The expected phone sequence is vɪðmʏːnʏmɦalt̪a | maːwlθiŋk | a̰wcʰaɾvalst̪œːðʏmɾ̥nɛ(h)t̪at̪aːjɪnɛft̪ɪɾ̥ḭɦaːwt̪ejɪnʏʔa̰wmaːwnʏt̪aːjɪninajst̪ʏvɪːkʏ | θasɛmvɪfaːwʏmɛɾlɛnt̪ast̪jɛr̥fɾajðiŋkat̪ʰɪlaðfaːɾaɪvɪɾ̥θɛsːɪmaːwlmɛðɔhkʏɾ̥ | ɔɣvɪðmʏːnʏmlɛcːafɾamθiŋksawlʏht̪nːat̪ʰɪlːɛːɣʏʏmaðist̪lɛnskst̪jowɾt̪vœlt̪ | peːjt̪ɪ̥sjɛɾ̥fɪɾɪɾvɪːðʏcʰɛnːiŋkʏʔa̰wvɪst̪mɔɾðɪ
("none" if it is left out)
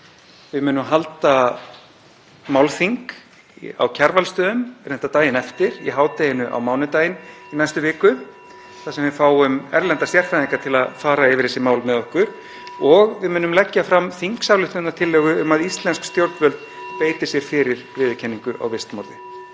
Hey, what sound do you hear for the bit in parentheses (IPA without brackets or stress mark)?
h